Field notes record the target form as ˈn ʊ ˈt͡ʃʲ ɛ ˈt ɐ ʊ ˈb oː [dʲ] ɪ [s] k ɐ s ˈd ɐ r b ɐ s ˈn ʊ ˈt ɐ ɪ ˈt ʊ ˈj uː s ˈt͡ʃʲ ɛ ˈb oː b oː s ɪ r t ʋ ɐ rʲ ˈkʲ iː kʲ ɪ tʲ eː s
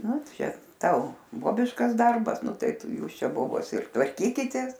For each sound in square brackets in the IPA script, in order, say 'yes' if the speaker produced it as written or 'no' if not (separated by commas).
no, no